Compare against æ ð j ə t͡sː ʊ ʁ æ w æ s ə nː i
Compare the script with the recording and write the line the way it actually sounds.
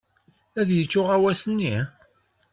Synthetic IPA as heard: æ ð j ə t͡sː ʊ ʁ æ w æ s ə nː i